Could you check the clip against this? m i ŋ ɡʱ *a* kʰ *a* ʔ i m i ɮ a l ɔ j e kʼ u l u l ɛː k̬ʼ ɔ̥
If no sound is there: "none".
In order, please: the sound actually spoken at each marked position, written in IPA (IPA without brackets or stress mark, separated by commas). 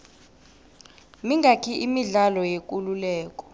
a, i